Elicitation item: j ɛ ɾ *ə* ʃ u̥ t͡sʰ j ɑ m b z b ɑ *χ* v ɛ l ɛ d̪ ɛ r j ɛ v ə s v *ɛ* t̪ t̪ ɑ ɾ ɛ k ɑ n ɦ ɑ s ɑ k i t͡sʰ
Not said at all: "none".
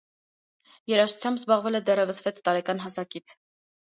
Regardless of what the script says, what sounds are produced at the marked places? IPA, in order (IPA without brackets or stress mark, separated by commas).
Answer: ɑ, ʁ, ɛ